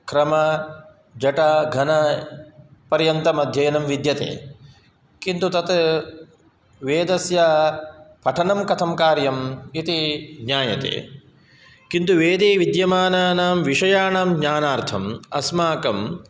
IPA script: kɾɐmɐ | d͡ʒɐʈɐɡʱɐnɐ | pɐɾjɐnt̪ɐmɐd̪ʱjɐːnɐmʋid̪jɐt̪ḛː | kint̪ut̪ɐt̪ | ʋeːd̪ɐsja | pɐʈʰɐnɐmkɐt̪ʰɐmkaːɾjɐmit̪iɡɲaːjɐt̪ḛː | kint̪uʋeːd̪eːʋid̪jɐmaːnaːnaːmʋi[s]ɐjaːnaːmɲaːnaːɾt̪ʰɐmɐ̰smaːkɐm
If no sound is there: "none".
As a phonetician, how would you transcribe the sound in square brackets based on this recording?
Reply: ʂ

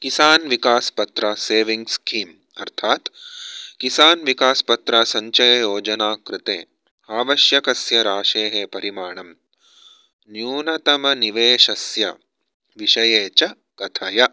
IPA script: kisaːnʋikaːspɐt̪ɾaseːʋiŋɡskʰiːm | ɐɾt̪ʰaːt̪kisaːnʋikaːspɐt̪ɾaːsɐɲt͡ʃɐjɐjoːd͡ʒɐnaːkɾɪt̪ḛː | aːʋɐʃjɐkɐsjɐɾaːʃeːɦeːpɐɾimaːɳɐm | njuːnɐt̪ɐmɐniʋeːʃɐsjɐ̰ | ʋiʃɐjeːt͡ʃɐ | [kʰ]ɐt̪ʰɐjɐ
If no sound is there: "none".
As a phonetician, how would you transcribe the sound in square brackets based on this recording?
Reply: k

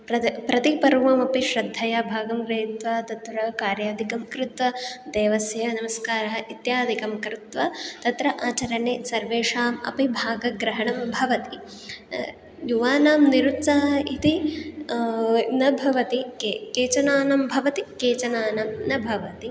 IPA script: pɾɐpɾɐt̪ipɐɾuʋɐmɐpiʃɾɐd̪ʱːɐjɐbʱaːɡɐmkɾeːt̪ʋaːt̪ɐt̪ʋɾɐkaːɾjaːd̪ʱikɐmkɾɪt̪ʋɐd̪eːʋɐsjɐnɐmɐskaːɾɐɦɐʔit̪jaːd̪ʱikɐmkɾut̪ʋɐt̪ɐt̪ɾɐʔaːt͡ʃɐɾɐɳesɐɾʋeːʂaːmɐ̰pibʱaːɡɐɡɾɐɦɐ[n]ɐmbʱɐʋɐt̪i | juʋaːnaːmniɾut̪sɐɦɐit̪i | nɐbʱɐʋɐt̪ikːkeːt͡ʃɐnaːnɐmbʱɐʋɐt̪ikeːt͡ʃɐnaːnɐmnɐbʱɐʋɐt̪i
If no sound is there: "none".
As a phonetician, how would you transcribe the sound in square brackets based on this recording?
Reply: ɳ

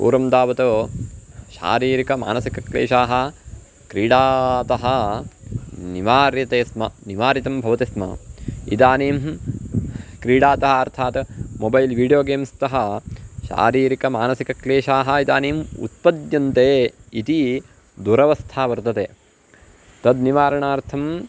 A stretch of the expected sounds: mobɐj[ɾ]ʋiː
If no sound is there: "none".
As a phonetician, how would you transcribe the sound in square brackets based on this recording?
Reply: l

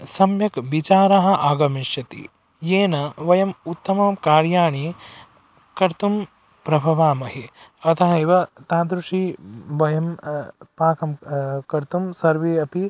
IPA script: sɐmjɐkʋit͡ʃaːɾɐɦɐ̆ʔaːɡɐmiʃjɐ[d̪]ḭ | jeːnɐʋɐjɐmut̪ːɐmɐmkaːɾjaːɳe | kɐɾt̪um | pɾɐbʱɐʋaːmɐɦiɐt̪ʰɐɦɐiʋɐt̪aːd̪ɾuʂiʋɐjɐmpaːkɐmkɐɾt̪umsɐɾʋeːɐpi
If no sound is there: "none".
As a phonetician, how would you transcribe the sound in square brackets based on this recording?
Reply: t̪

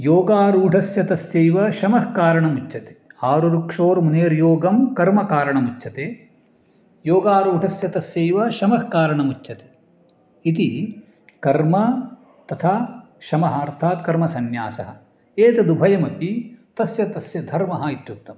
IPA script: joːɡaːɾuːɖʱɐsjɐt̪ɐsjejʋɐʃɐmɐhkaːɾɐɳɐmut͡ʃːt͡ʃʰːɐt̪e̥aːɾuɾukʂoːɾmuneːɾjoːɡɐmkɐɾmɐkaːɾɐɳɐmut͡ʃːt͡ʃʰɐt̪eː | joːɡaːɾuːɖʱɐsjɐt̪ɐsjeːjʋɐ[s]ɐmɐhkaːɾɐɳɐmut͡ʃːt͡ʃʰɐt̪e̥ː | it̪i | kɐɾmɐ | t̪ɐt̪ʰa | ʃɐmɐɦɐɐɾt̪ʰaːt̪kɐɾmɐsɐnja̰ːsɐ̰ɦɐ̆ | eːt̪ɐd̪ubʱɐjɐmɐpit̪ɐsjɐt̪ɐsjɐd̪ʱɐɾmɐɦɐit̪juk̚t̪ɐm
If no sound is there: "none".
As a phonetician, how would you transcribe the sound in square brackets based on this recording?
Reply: ʃ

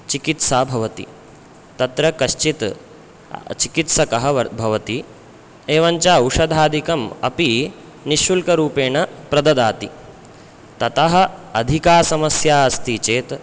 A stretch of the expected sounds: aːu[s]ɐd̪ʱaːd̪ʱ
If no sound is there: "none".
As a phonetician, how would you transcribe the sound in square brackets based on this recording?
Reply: ʂ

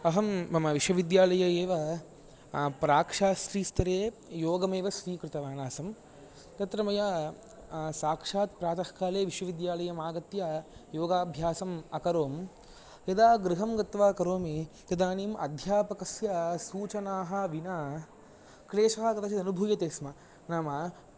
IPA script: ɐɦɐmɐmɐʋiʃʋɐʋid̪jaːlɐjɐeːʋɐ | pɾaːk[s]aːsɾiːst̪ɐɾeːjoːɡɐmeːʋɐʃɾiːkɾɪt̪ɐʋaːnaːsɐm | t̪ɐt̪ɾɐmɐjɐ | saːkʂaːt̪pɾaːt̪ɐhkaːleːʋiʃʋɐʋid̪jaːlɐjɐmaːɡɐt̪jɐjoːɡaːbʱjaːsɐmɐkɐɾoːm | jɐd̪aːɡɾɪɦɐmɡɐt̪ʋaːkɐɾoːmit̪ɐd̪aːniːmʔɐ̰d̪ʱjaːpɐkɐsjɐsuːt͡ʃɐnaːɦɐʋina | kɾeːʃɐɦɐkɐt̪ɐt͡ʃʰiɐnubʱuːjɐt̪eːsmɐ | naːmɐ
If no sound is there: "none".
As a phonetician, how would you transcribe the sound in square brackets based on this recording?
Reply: ʂ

